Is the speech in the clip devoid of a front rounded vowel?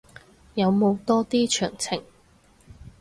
no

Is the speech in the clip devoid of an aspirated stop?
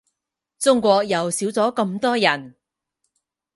yes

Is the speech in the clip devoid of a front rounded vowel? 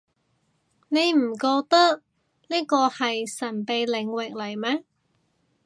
yes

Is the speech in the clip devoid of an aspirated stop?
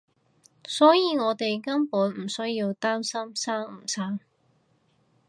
yes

